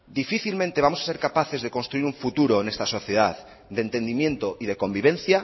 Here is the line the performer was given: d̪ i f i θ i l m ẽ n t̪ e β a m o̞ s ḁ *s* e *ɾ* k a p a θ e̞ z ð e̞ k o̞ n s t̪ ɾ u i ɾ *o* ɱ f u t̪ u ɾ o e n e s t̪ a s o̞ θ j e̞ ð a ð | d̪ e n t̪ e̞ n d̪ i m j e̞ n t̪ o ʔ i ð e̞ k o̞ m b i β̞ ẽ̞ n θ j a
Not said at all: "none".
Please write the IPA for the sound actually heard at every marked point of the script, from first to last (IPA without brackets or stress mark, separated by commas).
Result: s, ɾ, u